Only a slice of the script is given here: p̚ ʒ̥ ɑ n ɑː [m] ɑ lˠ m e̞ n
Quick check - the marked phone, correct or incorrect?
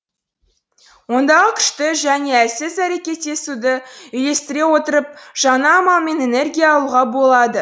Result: correct